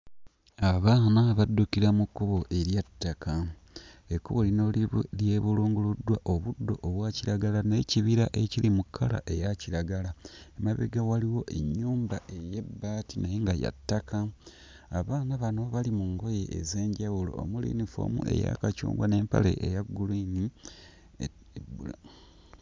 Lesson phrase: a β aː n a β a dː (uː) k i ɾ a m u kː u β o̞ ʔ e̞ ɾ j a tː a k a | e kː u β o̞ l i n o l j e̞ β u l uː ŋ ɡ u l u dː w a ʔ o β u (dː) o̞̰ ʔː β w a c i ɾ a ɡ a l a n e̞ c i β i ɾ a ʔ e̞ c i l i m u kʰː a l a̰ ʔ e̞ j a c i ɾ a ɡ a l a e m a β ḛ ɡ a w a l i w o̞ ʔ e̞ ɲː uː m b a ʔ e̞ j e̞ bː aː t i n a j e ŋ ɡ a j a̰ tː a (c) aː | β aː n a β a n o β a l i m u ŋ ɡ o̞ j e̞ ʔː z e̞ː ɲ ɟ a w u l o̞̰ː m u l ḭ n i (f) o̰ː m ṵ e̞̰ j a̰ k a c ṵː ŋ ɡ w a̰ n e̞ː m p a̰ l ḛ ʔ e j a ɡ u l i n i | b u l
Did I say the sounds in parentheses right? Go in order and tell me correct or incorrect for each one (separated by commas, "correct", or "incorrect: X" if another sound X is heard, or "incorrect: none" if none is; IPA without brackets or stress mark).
incorrect: u, correct, incorrect: k, correct